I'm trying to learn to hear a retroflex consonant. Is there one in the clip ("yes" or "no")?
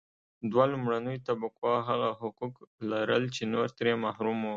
yes